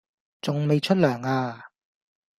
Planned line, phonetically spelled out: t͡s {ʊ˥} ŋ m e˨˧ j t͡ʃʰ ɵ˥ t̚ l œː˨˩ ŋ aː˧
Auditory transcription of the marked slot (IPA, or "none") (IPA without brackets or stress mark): ʊ˨